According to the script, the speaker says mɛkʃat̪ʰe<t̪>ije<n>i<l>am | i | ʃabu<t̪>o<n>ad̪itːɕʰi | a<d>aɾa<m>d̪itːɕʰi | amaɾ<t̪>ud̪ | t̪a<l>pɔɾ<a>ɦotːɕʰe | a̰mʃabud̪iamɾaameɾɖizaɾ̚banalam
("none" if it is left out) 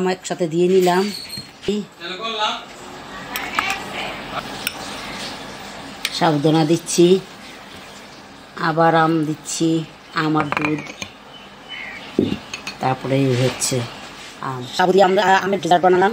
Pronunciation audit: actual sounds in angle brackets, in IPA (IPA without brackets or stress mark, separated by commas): d̪, n, l, d̪, n, b, m, d̪, ɾ, e